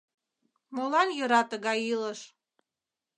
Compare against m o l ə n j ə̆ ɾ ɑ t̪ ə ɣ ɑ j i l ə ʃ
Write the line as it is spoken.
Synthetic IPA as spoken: m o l ɑ n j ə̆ ɾ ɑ t̪ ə ɣ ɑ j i l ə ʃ

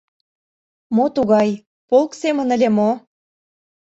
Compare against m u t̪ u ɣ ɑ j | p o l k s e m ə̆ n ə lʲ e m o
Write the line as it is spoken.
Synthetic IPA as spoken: m o t̪ u ɣ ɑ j | p o l k s e m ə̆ n ə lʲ e m o

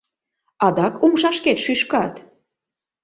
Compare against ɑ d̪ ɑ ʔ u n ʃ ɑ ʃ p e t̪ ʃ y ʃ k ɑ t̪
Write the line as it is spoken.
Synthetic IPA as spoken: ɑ d̪ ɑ k u m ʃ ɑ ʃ k e t̪ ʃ y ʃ k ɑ t̪

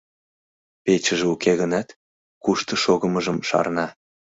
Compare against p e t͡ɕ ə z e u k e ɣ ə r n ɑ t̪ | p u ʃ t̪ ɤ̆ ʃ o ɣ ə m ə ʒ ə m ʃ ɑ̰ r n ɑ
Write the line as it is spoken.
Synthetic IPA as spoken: p e t͡ɕ ə ʒ e u k e ɣ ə n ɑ t̪ | k u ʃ t̪ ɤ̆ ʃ o ɣ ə m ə ʒ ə m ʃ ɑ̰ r n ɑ

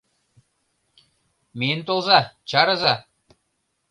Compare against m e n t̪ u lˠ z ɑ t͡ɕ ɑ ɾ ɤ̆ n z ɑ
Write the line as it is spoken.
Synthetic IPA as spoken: m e n t̪ o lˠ z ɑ t͡ɕ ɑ ɾ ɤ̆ z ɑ

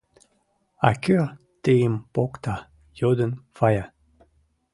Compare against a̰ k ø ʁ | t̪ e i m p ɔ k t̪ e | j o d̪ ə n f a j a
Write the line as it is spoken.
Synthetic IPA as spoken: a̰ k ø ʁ | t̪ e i m p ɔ k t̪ a | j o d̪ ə n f a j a

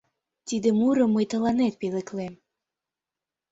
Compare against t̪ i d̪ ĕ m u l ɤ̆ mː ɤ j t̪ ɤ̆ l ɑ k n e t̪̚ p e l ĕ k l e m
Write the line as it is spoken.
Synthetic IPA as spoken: t̪ i d̪ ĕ m u ɾ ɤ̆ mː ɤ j t̪ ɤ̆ l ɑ n e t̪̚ p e l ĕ k l e m

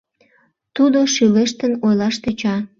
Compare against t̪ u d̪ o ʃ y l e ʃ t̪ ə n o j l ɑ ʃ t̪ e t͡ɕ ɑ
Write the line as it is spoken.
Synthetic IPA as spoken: t̪ u d̪ o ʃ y l e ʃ t̪ ə n o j l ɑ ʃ t̪ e t͡ɕ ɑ

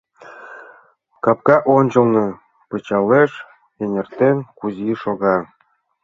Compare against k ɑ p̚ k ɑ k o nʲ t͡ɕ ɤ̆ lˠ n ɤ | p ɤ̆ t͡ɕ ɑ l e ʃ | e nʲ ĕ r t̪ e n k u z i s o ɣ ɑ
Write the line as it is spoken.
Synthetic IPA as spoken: k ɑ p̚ k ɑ ʔ o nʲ t͡ɕ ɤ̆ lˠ n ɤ | p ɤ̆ t͡ɕ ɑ l e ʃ | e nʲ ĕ r t̪ e n k u z i ʃ o ɣ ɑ

